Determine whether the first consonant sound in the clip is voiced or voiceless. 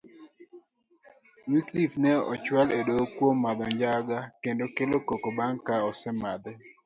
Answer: voiced